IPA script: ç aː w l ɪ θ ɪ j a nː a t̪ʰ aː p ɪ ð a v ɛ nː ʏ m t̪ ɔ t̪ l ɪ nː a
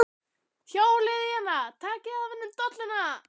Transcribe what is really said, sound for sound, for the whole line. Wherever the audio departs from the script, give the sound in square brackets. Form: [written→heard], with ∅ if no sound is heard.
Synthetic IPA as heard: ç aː w l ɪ [θ→ð] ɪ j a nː a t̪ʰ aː [p→c] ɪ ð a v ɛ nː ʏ m t̪ ɔ t̪ l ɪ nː a